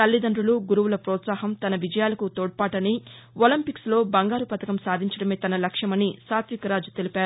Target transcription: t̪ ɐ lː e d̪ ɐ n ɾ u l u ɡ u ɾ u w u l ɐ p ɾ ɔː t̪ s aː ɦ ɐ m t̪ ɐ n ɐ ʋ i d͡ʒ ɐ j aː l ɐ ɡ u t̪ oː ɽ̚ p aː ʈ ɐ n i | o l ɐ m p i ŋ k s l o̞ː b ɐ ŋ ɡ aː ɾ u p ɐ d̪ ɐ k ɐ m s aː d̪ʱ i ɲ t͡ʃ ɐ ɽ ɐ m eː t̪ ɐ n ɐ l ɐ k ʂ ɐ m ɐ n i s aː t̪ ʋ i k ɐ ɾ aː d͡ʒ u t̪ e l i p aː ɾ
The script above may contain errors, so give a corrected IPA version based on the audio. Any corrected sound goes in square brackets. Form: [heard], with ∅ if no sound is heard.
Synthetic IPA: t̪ ɐ lː [i] d̪ ɐ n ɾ u l u ɡ u ɾ u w u l ɐ p ɾ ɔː t̪ s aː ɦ ɐ m t̪ ɐ n ɐ ʋ i d͡ʒ ɐ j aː l ɐ [k] u t̪ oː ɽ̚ p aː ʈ ɐ n i | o l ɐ m p i [∅] k s l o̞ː b ɐ ŋ ɡ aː ɾ u p ɐ [t̪] ɐ k ɐ m s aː d̪ʱ i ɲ t͡ʃ ɐ ɽ ɐ m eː t̪ ɐ n ɐ l ɐ k ʂ ɐ m ɐ n i s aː t̪ ʋ i k ɐ ɾ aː d͡ʒ u t̪ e l i p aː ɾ